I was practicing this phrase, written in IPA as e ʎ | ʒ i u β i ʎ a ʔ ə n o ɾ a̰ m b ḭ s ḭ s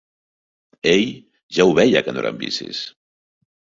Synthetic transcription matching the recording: e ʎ | ʒ a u β ɛ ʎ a k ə n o ɾ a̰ m b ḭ s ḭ s

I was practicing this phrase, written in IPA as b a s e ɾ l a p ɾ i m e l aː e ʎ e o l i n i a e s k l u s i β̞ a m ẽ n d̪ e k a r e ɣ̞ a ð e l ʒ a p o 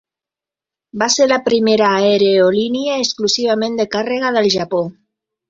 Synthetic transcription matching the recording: b a s e ɾ l a p ɾ i m e ɾ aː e ɾ e o l i n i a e s k l u s i β̞ a m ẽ n d̪ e k a r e ɣ̞ a ð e l ʒ a p o

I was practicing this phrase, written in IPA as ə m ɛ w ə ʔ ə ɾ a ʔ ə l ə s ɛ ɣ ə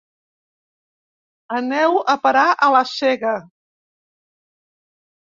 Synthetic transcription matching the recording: ə n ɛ w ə p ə ɾ a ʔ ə l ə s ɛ ɣ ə

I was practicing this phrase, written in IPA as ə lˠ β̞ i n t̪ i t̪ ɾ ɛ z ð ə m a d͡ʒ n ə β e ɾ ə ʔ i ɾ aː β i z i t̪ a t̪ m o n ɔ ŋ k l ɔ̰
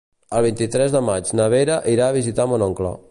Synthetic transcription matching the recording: ə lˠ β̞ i n t̪ i t̪ ɾ ɛ z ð ə m a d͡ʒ n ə β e ɾ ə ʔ i ɾ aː β i z i t̪ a m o n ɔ ŋ k l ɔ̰

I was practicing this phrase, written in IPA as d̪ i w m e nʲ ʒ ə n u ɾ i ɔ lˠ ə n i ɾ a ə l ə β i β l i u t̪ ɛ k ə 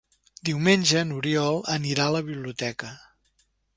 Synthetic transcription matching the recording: d̪ i w m e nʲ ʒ ə n u ɾ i ɔ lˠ ə n i ɾ a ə l ə β i β l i u t̪ ɛ k ə

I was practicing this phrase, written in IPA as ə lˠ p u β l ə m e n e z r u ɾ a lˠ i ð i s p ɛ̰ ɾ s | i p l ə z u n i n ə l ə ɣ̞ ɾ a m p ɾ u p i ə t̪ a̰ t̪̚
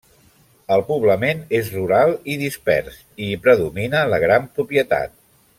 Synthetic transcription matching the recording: ə lˠ p u β l ə m e n e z r u ɾ a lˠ i ð i s p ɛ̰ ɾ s | i p ɾ ə ð u m i n ə l ə ɣ̞ ɾ a m p ɾ u p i ə t̪ a̰ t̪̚

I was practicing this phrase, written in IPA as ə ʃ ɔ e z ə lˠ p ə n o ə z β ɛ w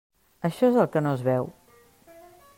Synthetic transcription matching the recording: ə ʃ ɔ e z ə lˠ k ə n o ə z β ɛ w

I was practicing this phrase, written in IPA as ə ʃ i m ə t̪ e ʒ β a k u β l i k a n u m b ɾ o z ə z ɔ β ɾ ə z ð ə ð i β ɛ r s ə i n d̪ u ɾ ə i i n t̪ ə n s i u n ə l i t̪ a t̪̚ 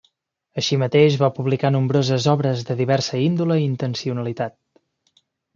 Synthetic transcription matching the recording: ə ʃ i m ə t̪ e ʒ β a p u β l i k a n u m b ɾ o z ə z ɔ β ɾ ə z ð ə ð i β ɛ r s ə i n d̪ u l ə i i n t̪ ə n s i u n ə l i t̪ a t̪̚

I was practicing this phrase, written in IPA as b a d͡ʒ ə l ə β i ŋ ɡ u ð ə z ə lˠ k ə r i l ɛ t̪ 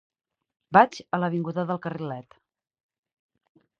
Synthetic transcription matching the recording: b a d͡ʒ ə l ə β i ŋ ɡ u ð ə ð ə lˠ k ə r i l ɛ t̪

